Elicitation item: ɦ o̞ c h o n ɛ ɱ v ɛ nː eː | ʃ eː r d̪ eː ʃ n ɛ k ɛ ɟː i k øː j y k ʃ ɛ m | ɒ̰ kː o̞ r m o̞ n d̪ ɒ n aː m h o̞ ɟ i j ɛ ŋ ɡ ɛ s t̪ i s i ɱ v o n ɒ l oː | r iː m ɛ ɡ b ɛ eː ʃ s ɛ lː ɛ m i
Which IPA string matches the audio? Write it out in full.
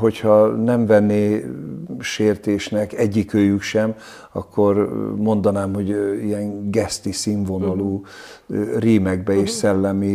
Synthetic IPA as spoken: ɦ o̞ c h ɒ n ɛ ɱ v ɛ nː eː | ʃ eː r t̪ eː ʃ n ɛ k ɛ ɟː i k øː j y k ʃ ɛ m | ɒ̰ kː o̞ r m o̞ n d̪ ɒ n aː m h o̞ ɟ i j ɛ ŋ ɡ ɛ s t̪ i s i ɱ v o n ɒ l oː | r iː m ɛ ɡ b ɛ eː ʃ s ɛ lː ɛ m i